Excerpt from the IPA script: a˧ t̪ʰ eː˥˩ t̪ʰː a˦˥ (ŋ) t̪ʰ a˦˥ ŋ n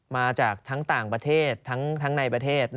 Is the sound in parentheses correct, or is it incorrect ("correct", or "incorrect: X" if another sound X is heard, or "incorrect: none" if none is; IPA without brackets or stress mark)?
correct